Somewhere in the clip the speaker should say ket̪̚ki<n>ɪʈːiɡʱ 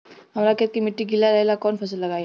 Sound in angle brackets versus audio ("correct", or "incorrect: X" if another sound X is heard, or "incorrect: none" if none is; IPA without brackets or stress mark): incorrect: m